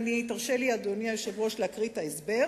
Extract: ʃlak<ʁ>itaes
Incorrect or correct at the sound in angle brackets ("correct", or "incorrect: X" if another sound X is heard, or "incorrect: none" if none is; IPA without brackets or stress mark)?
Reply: correct